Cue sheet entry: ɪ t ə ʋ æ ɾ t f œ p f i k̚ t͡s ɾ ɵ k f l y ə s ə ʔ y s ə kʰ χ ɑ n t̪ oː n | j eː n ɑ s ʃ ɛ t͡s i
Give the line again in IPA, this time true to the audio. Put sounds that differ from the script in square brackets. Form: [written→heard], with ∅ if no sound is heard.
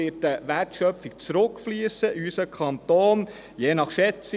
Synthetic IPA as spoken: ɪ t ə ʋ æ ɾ t [f→ʃ] œ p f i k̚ t͡s ɾ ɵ k f l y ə s ə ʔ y s ə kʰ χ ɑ n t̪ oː n | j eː n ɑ [s→χ] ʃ ɛ t͡s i